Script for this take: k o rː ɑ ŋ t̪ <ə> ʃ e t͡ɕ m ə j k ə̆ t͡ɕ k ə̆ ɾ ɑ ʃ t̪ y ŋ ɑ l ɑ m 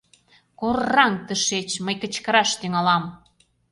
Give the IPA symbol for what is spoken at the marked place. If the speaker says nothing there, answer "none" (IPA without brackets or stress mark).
ə